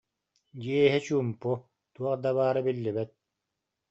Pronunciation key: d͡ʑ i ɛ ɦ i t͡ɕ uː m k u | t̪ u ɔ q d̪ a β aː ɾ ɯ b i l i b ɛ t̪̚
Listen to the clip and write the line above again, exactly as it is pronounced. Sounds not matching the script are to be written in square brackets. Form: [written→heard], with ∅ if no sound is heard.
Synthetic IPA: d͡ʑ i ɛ ɦ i t͡ɕ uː m [k→p] u | t̪ u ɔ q d̪ a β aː ɾ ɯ b i [l→lː] i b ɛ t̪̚